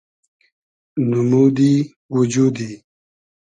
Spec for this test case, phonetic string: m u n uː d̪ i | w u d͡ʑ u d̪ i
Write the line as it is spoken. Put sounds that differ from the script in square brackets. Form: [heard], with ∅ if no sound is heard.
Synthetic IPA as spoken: [n] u [m] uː d̪ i | w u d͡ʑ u d̪ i